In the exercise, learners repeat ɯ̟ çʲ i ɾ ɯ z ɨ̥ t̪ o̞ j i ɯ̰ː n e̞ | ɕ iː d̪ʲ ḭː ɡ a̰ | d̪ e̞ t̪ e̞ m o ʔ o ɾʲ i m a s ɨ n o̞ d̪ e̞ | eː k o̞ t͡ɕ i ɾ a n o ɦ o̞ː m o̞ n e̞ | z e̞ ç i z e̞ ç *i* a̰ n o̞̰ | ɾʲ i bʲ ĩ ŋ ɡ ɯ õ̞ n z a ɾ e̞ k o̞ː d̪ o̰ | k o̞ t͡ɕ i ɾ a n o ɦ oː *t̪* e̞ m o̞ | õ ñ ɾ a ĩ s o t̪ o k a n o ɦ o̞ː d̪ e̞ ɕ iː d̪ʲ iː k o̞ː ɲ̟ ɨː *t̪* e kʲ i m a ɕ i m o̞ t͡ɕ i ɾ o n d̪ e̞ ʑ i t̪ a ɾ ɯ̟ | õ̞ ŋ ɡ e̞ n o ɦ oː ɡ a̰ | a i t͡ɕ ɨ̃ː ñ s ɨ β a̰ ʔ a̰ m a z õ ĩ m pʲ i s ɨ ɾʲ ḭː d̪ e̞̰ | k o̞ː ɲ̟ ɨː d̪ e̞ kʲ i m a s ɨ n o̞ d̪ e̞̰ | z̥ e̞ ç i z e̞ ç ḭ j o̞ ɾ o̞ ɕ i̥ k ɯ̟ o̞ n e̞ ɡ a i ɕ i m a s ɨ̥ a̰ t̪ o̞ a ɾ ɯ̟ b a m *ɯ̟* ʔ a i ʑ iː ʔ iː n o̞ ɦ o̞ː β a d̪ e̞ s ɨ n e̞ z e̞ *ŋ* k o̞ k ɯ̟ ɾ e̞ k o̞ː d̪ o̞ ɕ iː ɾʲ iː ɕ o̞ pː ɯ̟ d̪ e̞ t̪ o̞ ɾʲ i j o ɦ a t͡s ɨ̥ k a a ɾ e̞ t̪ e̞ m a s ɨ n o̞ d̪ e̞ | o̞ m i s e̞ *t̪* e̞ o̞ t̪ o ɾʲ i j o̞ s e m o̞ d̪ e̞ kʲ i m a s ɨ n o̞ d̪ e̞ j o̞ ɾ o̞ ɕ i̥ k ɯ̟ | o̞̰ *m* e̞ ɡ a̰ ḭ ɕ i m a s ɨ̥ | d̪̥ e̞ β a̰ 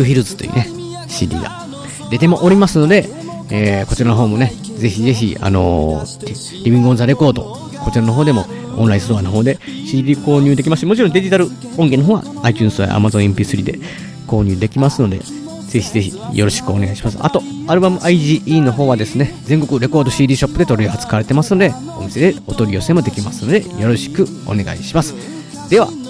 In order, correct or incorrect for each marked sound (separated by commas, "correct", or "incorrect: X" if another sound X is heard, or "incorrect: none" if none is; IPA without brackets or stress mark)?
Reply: correct, incorrect: d̪, incorrect: d̪, correct, correct, incorrect: d̪, incorrect: n